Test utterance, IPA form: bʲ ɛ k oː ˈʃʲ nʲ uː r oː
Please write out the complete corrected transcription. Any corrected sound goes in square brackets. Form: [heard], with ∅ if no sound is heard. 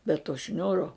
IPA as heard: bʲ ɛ [t] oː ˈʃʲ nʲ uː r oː